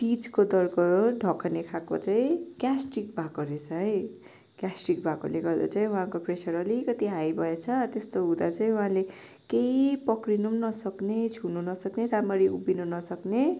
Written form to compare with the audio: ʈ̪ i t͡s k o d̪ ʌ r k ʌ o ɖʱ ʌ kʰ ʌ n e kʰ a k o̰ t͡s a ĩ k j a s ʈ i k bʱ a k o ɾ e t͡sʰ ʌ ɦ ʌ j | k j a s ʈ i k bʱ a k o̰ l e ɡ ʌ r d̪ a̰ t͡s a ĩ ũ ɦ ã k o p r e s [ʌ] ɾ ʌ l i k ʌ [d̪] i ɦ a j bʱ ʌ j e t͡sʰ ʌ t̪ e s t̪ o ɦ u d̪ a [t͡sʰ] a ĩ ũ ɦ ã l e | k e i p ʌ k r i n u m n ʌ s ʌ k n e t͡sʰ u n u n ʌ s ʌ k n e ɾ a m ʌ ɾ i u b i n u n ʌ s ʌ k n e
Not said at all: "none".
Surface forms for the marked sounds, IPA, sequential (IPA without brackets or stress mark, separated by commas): ʌ, t̪, t͡s